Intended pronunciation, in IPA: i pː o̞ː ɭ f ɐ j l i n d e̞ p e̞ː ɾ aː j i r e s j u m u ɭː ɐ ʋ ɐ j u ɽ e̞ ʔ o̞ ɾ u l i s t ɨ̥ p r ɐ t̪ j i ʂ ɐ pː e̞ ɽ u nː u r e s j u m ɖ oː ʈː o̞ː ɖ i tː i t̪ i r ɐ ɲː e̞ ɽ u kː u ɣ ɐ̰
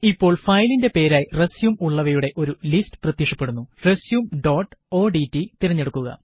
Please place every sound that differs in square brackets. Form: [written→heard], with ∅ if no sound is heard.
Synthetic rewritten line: i pː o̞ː ɭ f ɐ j l i n d e̞ p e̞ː ɾ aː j i r e s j u m u ɭː ɐ ʋ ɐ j u ɽ e̞ ʔ o̞ ɾ u l i s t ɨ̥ p r ɐ t̪ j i ʂ ɐ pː e̞ ɽ u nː u r e s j u m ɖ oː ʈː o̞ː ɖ i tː i t̪ i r ɐ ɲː e̞ ɽ u kː u ɣ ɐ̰